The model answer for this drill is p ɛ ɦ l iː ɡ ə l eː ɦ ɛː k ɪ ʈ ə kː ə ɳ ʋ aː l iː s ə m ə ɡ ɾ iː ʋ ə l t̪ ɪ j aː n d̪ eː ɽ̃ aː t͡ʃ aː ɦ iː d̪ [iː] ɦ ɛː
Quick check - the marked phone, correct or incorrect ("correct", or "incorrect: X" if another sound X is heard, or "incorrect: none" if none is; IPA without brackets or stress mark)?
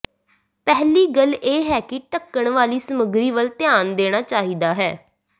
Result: incorrect: aː